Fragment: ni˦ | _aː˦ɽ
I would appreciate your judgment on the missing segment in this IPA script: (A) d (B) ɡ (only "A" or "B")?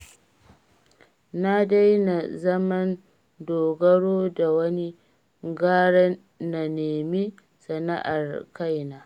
B